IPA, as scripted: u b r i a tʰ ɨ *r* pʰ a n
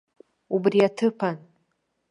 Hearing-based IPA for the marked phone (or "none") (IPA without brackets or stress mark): none